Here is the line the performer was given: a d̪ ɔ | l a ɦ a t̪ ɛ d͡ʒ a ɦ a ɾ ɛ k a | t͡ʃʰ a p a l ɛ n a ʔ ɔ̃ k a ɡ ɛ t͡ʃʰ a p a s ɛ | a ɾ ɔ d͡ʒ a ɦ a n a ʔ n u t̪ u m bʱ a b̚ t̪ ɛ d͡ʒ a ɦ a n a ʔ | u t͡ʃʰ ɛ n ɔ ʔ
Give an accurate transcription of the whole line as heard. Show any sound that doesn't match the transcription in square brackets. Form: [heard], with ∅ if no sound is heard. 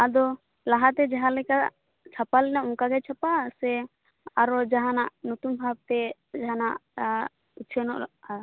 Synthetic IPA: a d̪ ɔ | l a ɦ a t̪ ɛ d͡ʒ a ɦ a [l] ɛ k a | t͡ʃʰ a p a l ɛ n a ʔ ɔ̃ k a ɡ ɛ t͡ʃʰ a p a s ɛ | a ɾ ɔ d͡ʒ a ɦ a n a ʔ n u t̪ u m bʱ a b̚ t̪ ɛ d͡ʒ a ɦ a n a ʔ | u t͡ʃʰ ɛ n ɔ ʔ